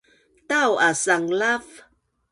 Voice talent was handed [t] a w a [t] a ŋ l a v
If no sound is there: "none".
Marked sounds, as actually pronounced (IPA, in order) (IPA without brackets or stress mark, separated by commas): t, s